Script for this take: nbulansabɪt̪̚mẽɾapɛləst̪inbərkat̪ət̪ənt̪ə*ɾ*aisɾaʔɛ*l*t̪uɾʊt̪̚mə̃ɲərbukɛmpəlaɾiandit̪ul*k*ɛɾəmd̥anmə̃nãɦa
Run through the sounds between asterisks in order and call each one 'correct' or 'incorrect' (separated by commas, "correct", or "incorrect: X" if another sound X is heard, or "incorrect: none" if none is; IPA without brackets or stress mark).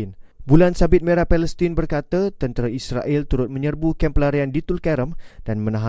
correct, correct, correct